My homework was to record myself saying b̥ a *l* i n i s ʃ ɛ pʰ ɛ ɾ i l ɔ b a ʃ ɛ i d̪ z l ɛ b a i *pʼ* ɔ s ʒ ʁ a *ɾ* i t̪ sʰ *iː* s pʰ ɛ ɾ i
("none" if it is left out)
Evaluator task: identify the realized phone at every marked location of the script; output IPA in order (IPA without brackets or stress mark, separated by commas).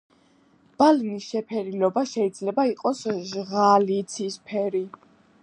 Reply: l, qʼ, l, i